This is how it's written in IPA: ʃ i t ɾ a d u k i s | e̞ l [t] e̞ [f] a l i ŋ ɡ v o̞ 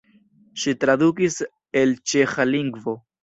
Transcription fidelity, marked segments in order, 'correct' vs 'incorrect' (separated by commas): incorrect, incorrect